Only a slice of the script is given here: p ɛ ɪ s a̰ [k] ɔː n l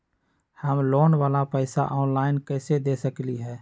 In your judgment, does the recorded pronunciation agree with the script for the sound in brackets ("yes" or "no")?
no